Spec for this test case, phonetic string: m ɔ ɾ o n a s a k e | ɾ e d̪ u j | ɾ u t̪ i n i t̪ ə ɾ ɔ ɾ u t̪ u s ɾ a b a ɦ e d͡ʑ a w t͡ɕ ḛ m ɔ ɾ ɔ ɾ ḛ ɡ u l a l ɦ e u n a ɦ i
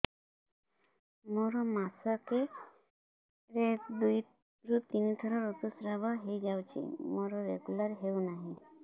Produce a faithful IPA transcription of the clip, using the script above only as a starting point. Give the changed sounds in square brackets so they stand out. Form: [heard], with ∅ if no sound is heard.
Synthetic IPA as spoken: m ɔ ɾ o [m] a s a k e | ɾ e d̪ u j | ɾ u t̪ i n i [t̪ʰ] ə ɾ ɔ ɾ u t̪ u s ɾ a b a ɦ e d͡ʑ a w t͡ɕ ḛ m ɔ ɾ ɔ ɾ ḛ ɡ u l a [ɾ] ɦ e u n a ɦ i